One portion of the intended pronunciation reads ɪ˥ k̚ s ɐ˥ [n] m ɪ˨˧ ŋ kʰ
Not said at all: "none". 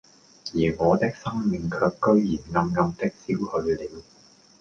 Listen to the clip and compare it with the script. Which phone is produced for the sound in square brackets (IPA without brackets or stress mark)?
ŋ